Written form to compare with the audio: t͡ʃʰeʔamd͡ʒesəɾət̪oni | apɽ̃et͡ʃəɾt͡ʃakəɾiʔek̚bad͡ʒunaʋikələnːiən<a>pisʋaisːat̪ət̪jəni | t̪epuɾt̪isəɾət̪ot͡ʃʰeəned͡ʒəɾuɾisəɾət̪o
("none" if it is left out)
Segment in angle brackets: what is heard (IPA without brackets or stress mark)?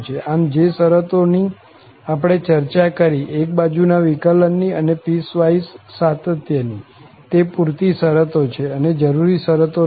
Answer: e